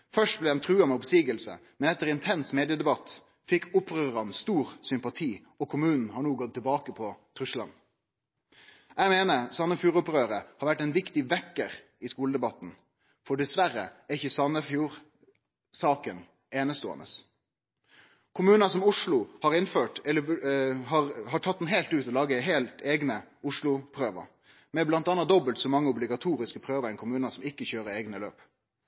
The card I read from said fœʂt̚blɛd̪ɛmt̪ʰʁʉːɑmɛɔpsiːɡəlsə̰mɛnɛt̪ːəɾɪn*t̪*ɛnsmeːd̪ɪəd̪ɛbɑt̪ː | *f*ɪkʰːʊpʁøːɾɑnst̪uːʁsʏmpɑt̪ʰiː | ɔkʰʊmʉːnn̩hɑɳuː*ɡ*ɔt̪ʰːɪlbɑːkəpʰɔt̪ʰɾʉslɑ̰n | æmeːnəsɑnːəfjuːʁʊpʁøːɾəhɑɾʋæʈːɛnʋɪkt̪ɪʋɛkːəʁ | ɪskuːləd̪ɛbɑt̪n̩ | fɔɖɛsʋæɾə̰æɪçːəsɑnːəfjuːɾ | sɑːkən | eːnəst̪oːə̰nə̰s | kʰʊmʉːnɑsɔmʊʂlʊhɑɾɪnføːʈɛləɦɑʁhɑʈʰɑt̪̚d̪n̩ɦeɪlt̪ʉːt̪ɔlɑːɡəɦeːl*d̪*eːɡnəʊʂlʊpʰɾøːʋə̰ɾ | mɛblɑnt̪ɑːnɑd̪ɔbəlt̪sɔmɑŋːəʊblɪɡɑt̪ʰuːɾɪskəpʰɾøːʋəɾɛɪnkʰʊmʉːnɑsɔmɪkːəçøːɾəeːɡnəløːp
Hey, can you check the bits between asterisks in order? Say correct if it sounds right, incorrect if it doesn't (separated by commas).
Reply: incorrect, correct, correct, incorrect